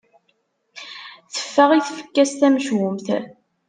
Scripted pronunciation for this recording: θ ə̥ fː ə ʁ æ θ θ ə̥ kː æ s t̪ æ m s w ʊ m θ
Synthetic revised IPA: θ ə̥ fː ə ʁ i θ f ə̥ kː æ s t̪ æ m ʃ w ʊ m θ

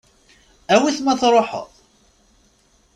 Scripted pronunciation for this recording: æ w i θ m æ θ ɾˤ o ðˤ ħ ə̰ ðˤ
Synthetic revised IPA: æ w i θ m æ θ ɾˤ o ħ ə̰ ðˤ

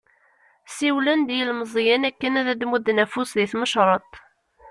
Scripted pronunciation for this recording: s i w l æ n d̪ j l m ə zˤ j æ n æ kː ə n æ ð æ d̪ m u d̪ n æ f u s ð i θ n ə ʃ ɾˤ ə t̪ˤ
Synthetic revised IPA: s i w l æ n d̪ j l m ə zˤ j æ n æ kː ə n æ ð æ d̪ m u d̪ n æ f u s ð i θ m ə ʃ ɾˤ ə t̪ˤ

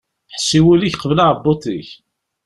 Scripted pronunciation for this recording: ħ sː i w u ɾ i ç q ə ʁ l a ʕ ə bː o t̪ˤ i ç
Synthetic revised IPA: ħ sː i w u l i ç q ə v l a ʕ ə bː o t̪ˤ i ç

